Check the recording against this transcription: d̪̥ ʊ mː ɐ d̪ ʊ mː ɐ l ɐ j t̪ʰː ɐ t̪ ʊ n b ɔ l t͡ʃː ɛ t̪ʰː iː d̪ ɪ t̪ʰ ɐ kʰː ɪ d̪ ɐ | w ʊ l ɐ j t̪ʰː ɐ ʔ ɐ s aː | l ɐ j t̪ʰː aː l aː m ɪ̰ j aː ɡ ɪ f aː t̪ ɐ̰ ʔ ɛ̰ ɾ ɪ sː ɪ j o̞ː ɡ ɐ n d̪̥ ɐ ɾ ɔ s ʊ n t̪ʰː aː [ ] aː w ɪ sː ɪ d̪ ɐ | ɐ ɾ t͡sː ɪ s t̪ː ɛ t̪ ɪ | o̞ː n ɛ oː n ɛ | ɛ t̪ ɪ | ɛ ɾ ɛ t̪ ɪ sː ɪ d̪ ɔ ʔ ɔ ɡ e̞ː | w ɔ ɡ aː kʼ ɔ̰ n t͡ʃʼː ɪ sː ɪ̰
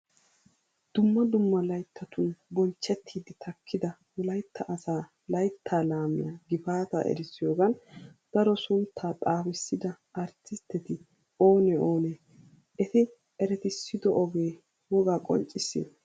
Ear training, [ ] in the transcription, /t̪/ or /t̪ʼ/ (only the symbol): t̪ʼ